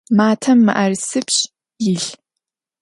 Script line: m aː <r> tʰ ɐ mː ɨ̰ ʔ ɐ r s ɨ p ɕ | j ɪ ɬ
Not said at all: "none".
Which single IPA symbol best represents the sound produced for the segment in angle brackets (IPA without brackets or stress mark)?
none